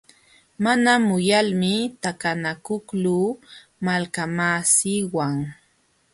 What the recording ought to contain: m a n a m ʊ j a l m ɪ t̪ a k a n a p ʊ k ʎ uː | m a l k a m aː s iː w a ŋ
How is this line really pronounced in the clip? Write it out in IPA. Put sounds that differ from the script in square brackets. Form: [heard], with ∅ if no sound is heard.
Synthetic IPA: m a n a m ʊ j a l m ɪ t̪ a k a n a [k] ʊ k [l] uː | m a l k a m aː s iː w a ŋ